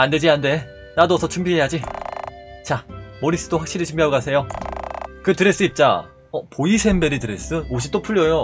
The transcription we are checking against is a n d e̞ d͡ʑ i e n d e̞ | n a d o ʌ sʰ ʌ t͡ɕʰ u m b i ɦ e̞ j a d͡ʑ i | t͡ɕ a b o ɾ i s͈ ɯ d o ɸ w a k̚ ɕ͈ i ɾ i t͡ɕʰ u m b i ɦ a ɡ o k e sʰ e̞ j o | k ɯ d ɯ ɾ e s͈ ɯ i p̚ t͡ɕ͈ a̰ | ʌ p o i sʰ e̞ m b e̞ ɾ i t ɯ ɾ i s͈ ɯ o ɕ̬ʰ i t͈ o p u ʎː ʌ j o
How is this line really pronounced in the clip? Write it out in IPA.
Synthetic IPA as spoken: a n d e̞ d͡ʑ i a n d e̞ | n a d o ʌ sʰ ʌ t͡ɕʰ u m b i ɦ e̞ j a d͡ʑ i | t͡ɕ a m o ɾ i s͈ ɯ d o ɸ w a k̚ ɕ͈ i ɾ i t͡ɕʰ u m b i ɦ a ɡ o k a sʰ e̞ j o | k ɯ t ɯ ɾ e s͈ ɯ i p̚ t͡ɕ͈ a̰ | ʌ p o i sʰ e̞ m b e̞ ɾ i t ɯ ɾ e s͈ ɯ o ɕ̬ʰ i t͈ o pʰ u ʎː ʌ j o